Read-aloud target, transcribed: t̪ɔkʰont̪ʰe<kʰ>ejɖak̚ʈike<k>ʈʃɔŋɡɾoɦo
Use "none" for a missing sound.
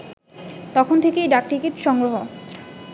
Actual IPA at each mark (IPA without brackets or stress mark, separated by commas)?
k, none